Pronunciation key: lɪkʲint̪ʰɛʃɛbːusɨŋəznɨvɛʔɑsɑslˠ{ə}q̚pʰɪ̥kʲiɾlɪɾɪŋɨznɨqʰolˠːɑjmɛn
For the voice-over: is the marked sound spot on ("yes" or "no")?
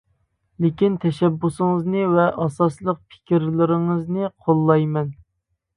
yes